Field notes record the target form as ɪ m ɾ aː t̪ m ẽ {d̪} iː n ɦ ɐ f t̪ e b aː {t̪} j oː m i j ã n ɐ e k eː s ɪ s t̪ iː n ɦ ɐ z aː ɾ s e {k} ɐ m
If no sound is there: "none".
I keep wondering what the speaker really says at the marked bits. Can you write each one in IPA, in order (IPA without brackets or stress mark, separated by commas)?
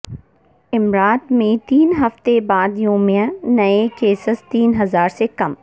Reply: t̪, d̪, k